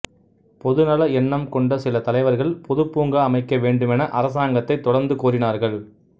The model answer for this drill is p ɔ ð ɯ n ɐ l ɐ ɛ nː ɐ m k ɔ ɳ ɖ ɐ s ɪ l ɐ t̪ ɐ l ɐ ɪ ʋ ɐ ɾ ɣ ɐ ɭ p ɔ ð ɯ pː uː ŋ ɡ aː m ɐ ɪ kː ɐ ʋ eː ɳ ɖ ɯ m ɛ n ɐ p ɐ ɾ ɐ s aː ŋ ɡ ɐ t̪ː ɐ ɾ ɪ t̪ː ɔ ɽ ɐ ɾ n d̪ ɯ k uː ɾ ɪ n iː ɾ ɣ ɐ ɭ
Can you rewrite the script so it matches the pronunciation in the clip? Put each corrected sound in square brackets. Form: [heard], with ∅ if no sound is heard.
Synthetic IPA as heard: p ɔ ð ɯ n ɐ l ɐ ɛ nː ɐ m k ɔ ɳ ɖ ɐ s ɪ l ɐ t̪ ɐ l ɐ ɪ ʋ ɐ ɾ ɣ ɐ ɭ p ɔ ð ɯ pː uː ŋ ɡ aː m ɐ ɪ kː ɐ ʋ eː ɳ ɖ ɯ m ɛ n ɐ [ʔ] ɐ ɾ ɐ s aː ŋ ɡ ɐ t̪ː ɐ [∅] ɪ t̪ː ɔ ɽ ɐ ɾ n d̪ ɯ k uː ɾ ɪ n [aː] ɾ ɣ ɐ ɭ